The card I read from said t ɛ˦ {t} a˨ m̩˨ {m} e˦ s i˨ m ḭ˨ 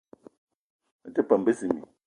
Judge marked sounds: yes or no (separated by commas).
no, no